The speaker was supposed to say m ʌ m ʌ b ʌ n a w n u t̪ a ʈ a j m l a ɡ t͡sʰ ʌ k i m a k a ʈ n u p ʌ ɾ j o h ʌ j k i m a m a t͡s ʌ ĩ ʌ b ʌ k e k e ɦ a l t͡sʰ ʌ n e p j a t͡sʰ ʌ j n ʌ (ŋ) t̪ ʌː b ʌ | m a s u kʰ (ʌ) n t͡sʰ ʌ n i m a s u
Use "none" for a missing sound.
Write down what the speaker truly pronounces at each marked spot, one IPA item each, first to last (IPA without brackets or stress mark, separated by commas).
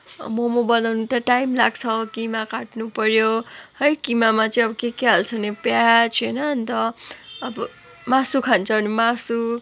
n, a